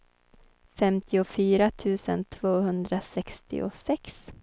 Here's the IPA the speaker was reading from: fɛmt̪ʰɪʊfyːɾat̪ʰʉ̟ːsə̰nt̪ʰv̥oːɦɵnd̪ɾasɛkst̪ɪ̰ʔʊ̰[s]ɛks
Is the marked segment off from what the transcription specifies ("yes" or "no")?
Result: no